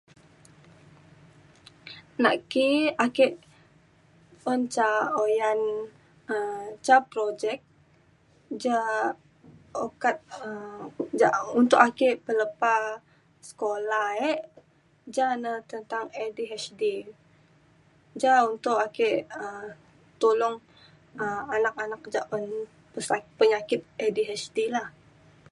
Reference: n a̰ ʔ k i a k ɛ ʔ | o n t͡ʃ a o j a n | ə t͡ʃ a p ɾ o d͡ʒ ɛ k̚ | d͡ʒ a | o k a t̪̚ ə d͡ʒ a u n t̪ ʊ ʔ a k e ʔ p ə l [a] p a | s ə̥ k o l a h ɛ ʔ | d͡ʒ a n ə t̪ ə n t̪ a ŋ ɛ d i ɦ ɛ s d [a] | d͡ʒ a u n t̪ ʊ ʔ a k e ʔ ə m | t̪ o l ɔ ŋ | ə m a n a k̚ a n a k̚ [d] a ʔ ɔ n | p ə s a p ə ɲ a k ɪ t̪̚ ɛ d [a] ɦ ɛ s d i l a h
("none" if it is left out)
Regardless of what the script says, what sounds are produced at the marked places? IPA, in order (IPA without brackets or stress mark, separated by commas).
ə, i, d͡ʒ, i